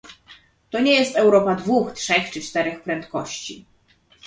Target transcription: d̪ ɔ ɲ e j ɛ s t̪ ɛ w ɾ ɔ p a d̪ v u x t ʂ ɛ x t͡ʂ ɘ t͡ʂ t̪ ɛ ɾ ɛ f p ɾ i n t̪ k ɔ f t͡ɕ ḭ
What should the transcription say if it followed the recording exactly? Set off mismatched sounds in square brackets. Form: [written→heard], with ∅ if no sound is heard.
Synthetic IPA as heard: [d̪→t̪] ɔ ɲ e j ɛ s t̪ ɛ w ɾ ɔ p a d̪ v u x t ʂ ɛ x t͡ʂ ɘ t͡ʂ t̪ ɛ ɾ ɛ [f→x] p ɾ [i→ɛ] n t̪ k ɔ [f→ɕ] t͡ɕ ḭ